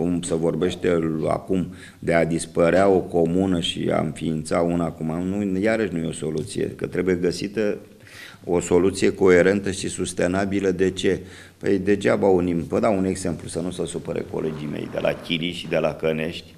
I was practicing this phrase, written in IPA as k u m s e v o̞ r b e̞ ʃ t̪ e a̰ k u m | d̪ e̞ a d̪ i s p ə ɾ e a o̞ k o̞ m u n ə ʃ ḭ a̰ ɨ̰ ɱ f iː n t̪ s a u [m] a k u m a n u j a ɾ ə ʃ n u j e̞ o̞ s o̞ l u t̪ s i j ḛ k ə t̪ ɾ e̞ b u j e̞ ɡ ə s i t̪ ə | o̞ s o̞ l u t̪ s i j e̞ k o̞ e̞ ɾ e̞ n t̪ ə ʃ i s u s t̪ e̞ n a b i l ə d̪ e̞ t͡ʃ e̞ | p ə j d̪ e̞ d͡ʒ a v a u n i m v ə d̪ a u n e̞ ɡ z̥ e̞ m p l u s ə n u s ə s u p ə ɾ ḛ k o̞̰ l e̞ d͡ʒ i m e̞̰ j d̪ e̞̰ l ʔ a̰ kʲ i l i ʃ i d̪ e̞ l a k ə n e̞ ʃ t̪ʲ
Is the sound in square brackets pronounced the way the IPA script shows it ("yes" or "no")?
no